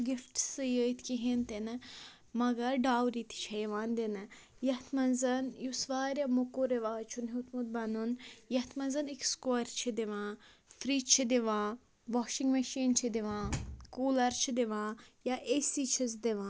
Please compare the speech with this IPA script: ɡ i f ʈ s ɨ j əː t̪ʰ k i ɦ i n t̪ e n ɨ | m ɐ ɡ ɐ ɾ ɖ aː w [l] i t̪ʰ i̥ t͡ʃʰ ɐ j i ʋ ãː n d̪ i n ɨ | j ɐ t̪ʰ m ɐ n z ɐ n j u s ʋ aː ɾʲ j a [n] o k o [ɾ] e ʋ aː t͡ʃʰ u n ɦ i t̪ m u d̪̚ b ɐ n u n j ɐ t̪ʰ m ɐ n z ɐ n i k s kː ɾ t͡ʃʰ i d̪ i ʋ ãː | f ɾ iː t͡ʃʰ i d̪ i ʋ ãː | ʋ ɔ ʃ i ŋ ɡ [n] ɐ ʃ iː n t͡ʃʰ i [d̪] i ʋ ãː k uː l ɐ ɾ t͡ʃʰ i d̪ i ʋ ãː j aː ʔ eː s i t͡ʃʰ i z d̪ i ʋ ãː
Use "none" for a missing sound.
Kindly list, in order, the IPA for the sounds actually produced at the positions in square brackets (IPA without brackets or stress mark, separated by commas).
ɾ, m, ɾ, m, d̪